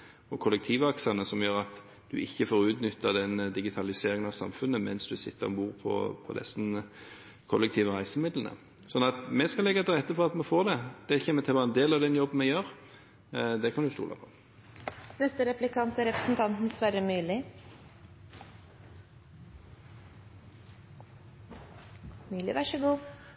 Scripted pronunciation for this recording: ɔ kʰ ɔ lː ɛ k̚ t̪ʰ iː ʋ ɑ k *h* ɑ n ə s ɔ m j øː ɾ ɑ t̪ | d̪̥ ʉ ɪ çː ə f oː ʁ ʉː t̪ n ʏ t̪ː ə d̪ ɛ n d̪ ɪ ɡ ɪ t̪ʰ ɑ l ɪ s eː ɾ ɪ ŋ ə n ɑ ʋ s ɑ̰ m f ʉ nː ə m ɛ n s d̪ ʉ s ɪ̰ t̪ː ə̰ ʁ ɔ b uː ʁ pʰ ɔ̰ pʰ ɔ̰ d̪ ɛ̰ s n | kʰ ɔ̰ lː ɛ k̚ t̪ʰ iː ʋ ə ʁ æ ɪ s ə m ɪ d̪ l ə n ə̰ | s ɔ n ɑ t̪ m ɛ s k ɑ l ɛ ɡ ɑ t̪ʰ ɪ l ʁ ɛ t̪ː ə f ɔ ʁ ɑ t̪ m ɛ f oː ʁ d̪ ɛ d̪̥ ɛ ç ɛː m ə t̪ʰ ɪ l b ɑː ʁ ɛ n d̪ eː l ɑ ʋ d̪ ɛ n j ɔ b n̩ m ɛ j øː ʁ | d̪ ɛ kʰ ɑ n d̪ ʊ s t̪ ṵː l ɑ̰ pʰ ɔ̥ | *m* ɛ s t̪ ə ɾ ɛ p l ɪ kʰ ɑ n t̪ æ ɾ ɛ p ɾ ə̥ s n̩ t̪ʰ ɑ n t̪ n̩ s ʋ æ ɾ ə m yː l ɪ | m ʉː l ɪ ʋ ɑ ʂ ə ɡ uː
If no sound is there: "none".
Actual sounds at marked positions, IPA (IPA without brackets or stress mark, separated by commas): s, n